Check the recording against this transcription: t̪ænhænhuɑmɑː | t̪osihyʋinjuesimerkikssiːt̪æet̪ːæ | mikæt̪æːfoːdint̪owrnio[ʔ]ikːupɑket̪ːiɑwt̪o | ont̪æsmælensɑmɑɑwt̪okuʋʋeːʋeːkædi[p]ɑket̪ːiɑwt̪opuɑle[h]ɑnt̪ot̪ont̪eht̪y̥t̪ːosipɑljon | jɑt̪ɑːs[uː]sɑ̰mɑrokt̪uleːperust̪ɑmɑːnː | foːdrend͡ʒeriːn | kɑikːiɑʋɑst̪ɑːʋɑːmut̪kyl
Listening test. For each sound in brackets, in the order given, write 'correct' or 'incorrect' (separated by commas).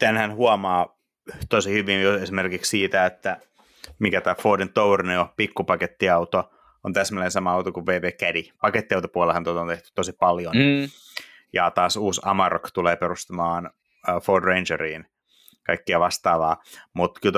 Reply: incorrect, correct, correct, correct